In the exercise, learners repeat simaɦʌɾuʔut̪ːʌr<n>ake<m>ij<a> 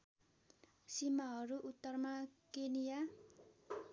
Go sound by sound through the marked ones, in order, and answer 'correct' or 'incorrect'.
incorrect, incorrect, correct

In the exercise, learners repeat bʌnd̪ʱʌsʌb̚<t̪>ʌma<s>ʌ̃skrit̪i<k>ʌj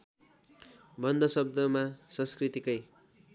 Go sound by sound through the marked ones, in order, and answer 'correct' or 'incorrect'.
incorrect, correct, correct

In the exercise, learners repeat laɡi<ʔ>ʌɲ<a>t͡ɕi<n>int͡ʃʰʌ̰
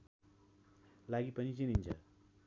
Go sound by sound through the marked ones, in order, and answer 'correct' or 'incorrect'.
incorrect, incorrect, correct

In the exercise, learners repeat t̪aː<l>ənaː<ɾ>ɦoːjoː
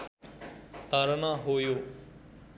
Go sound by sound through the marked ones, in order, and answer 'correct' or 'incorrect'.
incorrect, incorrect

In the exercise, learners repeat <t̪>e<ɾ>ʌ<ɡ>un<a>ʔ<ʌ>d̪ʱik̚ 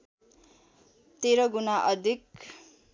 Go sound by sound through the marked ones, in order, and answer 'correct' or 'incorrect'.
correct, correct, correct, correct, correct

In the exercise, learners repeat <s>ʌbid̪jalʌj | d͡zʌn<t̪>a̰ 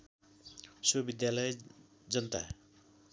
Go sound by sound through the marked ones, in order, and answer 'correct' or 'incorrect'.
correct, correct

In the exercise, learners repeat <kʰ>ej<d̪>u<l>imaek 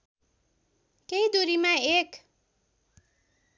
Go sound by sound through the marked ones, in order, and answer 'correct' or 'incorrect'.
incorrect, correct, incorrect

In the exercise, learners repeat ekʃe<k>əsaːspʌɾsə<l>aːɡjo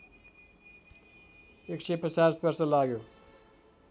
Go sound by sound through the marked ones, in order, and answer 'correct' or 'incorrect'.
incorrect, correct

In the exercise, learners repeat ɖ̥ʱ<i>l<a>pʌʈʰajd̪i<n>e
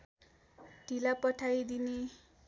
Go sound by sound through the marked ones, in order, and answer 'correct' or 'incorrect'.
correct, correct, correct

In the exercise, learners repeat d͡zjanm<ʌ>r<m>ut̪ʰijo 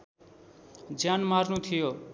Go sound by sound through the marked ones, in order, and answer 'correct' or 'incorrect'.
incorrect, incorrect

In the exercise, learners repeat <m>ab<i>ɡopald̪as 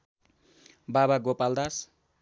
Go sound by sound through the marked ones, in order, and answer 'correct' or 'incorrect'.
incorrect, incorrect

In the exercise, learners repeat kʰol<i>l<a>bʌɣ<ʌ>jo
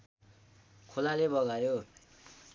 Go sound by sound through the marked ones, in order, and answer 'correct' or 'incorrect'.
incorrect, incorrect, incorrect

